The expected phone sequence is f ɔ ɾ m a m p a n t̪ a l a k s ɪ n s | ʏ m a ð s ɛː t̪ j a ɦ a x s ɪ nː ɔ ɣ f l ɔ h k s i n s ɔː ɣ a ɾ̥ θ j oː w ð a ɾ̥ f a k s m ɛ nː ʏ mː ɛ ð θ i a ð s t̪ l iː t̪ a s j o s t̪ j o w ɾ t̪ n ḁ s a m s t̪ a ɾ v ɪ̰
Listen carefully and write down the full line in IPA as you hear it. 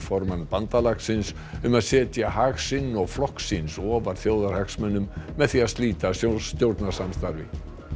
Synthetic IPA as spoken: f ɔ ɾ m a n p a n t̪ a l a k s ɪ n s | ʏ m a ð s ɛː t̪ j a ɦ a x s ɪ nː ɔ ɣ f l ɔ h k s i n s ɔː v a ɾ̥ θ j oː w ð a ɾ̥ h a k s m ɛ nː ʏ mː ɛ ð θ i a ð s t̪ l iː t̪ a s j o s t̪ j o w ɾ t̪ n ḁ s a m s t̪ a ɾ v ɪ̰

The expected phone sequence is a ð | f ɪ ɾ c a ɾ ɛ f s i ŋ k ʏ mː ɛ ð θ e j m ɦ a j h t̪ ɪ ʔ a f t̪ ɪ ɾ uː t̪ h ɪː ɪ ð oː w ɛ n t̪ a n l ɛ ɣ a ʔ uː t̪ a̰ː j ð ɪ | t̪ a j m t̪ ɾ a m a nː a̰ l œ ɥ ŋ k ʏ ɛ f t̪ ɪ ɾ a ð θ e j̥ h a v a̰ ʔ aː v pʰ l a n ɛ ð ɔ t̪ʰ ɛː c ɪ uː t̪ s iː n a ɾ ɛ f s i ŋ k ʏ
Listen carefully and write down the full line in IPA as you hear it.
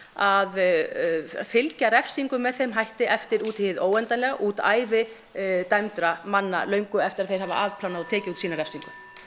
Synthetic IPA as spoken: a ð | f ɪ l c a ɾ ɛ f s i ŋ k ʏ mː ɛ ð θ e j m ɦ a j h t̪ ɪ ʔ ɛ f t̪ ɪ ɾ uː t̪ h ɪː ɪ ð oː w ɛ n t̪ a n l ɛ ɣ a ʔ uː t̪ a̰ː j v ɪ | t̪ a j m t̪ ɾ a m a nː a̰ l œ ɥ ŋ k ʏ ɛ f t̪ ɪ ɾ a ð θ e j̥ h a v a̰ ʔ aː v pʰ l a n a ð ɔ t̪ʰ ɛː c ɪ uː t̪ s iː n a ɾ ɛ f s i ŋ k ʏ

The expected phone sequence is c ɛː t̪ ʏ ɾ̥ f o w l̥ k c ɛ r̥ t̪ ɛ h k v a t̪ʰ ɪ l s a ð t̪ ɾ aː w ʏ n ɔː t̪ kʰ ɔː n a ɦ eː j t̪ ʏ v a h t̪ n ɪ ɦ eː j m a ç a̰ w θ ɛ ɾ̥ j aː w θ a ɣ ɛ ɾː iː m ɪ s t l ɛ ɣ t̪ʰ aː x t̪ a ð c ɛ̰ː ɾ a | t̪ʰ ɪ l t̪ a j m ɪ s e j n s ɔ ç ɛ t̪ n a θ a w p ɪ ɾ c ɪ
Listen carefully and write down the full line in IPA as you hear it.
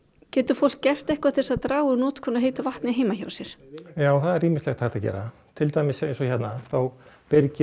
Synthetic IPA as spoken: c ɛː t̪ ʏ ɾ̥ f o w l̥ k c ɛ r̥ t̪ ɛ h k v a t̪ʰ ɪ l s a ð t̪ ɾ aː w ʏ n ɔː t̪ kʰ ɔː n a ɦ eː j t̪ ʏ v a h t̪ n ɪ ɦ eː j m a ç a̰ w s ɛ ɾ̥ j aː w θ a ð ɛ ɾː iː m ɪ s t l ɛ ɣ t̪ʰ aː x t̪ a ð c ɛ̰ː ɾ a | t̪ʰ ɪ l t̪ a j m ɪ s e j n s ɔ ç ɛ t̪ n a θ a w p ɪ ɾ c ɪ

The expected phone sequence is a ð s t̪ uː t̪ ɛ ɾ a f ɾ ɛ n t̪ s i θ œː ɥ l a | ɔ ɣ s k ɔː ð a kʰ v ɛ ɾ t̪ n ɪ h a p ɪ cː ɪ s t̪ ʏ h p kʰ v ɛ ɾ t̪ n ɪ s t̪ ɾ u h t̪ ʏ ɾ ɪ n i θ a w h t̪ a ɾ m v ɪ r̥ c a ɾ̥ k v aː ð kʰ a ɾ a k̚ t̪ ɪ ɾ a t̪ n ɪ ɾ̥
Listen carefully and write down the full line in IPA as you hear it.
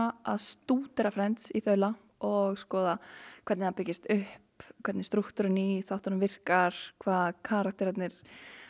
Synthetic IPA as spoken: a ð s t̪ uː t̪ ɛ ɾ a f ɾ ɛ n t̪ s i θ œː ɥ l a | ɔ ɣ s k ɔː ð a kʰ v ɛ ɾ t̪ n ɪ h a p ɪ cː ɪ s t̪ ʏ h p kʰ v ɛ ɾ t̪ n ɪ s t̪ ɾ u h t̪ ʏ ɾ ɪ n i θ a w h t̪ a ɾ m v ɪ r̥ k a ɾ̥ kʰ v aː ð kʰ a ɾ a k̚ t̪ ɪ ɾ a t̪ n ɪ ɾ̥

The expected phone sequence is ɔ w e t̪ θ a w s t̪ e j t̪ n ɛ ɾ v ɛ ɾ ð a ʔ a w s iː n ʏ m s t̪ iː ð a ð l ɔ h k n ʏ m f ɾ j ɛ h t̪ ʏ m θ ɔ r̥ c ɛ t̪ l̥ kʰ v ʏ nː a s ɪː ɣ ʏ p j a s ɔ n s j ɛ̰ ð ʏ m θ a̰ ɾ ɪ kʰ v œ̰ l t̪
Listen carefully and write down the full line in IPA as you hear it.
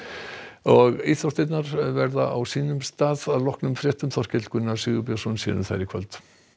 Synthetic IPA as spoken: ɔ ɣ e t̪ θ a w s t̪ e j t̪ n a ɾ v ɛ ɾ ð a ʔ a w s iː n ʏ m s t̪ aː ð a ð l ɔ h k n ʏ m f ɾ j ɛ h t̪ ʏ m θ ɔ r̥ c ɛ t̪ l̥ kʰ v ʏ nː a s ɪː ɣ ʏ p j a s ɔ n s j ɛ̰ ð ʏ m θ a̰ ɾ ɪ kʰ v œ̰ l t̪

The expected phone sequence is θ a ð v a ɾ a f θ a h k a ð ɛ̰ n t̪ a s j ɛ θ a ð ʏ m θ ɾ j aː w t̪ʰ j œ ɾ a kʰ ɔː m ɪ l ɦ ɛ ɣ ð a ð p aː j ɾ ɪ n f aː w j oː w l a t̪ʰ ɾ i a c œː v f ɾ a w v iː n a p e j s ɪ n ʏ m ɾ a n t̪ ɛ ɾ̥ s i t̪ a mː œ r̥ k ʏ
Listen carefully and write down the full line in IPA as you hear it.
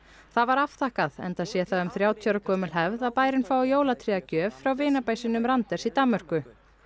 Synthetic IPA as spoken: θ a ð v a ɾ a f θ a h k a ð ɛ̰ n t̪ a s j ɛ θ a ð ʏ m θ ɾ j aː w t̪ʰ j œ ɾ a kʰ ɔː m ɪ l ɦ ɛ v ð a ð p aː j ɾ ɪ n f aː w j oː w l a t̪ʰ ɾ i a c œː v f ɾ a w v ɪː n a p a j s ɪ n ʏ m ɾ a n t̪ ɛ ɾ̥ s i t̪ a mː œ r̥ k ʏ

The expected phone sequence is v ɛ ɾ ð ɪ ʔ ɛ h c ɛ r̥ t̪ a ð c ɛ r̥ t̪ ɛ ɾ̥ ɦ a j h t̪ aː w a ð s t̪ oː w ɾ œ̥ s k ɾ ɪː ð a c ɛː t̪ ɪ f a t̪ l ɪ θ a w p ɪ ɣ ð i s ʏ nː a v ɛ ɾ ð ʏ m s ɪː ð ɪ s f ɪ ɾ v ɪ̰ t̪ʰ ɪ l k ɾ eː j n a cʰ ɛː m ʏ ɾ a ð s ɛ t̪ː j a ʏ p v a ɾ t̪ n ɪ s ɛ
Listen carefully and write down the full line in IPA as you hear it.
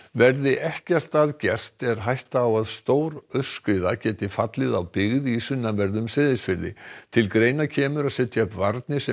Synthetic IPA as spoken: v ɛ ɾ ð ɪ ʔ ɛ h c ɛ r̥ t̪ a ð c ɛ r̥ t̪ ɛ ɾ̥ ɦ a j h t̪ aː w a ð s t̪ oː w ɾ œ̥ s k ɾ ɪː ð a c ɛː t̪ ɪ f a t̪ l ɪ ð a w p ɪ ɣ ð i s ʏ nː a v ɛ ɾ ð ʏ m s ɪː ð ɪ s f ɪ ɾ ð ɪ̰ t̪ʰ ɪ l k ɾ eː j n a cʰ ɛː m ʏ ɾ a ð s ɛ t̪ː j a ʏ p v a ɾ t̪ n ɪ s ɛ

